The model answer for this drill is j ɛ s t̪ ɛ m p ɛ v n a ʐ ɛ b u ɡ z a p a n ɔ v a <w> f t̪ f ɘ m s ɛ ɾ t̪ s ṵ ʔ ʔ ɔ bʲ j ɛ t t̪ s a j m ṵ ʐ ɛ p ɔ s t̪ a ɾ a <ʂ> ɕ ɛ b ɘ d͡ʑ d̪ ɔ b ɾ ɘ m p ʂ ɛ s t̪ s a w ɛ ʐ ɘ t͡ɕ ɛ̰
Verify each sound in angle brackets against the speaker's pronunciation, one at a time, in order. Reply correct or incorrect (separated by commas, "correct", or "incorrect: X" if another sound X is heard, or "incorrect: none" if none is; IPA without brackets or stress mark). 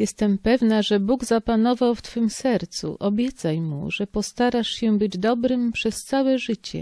correct, correct